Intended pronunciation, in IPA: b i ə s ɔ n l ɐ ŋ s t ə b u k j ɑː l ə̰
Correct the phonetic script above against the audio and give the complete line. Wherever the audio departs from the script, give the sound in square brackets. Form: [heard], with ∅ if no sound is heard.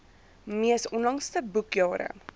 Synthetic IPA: [m] i ə s ɔ n l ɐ ŋ s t ə b u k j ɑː [ɾ] ə̰

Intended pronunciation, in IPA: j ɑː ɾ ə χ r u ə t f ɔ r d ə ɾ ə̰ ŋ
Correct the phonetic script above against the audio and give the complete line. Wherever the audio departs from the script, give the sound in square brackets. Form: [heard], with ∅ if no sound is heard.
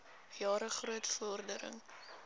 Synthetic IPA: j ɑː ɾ ə χ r u ə t f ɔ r d ə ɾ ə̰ ŋ

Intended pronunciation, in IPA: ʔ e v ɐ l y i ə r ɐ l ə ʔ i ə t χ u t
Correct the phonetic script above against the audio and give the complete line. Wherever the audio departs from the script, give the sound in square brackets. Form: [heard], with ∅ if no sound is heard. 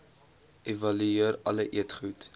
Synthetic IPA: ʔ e v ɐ l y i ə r ɐ l ə ʔ i ə t χ u t

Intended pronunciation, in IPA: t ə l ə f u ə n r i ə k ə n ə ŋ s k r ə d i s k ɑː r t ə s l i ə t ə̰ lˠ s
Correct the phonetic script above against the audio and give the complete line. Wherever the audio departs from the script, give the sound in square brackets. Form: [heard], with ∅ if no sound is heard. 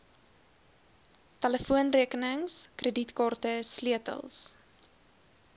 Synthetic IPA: t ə l ə f u ə n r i ə k ə n ə ŋ s k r ə d i [t] k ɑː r t ə s l i ə t ə̰ lˠ s

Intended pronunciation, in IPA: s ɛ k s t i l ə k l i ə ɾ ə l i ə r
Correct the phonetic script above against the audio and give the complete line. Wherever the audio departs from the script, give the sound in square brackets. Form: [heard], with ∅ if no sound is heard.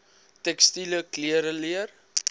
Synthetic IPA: [t] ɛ k s t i l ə k l i ə ɾ ə l i ə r

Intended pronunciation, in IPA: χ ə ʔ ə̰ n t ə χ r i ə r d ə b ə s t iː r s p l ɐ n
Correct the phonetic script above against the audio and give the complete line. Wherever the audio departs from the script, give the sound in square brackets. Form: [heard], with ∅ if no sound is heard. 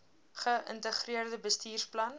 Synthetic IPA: χ ə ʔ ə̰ n t ə χ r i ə r d ə b ə s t iː r s p l ɐ n

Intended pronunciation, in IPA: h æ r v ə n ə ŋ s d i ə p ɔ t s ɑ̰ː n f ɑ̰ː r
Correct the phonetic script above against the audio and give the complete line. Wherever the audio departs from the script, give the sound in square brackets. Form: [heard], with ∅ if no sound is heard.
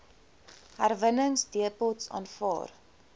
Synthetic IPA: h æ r v ə n ə ŋ s d i ə p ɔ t s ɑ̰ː n f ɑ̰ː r

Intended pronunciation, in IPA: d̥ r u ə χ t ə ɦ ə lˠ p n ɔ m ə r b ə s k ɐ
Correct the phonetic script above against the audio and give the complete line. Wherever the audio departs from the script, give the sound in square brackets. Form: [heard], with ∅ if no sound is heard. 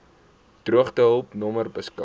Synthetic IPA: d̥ r u ə χ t ə ɦ ə lˠ p n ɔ m ə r b ə s k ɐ

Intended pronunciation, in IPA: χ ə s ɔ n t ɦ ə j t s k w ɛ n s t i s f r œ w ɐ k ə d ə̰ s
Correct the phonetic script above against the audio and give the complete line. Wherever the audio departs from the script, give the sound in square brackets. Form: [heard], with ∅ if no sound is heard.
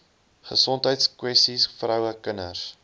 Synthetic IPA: χ ə s ɔ n t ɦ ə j t s k w ɛ [∅] s t i s f r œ w [ə] k ə [n] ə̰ s

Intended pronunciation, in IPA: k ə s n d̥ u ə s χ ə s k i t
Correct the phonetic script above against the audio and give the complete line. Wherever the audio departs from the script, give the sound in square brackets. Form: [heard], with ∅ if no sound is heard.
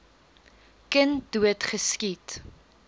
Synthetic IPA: k ə [∅] n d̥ u ə [t] χ ə s k i t

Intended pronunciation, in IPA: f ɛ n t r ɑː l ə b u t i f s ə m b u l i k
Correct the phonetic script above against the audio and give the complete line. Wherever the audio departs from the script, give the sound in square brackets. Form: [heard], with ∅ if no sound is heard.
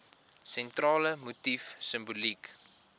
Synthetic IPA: [s] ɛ n t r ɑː l ə [m] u t i f s ə m b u l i k

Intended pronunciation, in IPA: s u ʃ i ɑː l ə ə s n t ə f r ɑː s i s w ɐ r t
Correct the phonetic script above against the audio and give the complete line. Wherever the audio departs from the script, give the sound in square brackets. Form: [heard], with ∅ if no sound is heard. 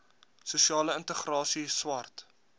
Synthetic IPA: s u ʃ i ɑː l ə ə [∅] n t ə [χ] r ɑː s i s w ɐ r t

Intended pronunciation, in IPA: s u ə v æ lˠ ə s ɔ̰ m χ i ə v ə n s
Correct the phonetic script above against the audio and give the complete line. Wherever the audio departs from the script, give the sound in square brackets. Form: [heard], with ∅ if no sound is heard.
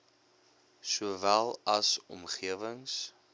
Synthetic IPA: s u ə v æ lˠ [ɐ] s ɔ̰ m χ i ə v ə [ŋ] s

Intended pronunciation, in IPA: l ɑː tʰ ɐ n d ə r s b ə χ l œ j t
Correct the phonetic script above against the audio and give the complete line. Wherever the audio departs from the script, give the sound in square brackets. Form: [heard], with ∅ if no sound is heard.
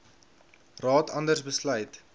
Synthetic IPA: [r] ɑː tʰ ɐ n d ə r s b ə [s] l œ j t

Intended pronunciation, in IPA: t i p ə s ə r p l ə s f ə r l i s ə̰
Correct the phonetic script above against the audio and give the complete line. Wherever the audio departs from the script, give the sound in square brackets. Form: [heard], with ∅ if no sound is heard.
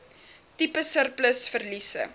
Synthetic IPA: t i p ə s ə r p l ə s f ə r l i s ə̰

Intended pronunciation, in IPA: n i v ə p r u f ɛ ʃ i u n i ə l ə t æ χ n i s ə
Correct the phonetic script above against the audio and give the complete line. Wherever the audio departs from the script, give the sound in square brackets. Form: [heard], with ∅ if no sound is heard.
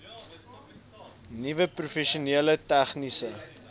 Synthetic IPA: n i v ə p r u f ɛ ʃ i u n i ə l ə t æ χ n i s ə

